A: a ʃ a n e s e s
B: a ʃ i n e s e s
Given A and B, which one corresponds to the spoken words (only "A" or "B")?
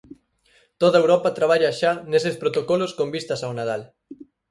A